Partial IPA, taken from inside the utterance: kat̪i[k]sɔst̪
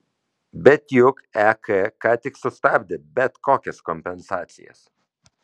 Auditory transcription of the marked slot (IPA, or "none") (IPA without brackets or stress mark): k